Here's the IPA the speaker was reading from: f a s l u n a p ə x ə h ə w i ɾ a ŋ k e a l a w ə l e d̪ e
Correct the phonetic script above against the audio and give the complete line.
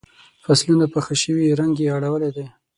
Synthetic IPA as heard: f a s l u n a p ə x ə ʃ ə w i ɾ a ŋ ɡ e a ɽ a w ə l e d̪ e